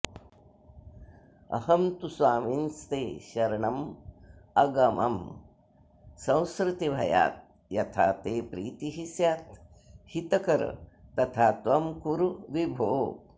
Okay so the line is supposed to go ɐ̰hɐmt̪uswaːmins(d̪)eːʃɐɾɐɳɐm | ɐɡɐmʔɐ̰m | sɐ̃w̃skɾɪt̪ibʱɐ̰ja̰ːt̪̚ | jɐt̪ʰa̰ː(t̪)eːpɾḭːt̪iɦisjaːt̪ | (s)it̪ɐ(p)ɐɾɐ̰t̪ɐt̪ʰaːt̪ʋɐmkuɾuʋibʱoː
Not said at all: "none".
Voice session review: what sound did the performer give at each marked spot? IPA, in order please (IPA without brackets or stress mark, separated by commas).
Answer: t̪, t̪, h, k